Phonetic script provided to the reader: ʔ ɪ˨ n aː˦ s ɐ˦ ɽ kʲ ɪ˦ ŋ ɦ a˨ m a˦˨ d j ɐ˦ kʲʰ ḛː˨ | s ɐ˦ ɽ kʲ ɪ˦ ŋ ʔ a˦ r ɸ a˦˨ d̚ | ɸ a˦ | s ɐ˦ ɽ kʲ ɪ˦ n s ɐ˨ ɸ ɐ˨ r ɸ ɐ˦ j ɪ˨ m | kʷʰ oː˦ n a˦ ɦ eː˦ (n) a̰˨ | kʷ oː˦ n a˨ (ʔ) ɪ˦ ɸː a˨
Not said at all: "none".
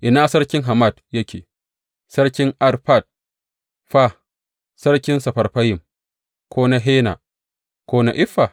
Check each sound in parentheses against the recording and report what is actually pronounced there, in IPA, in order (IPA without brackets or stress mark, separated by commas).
n, ʔ